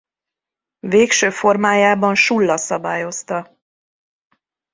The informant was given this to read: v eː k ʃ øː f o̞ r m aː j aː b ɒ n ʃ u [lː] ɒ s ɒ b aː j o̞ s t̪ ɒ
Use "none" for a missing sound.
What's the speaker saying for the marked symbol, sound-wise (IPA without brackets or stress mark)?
lː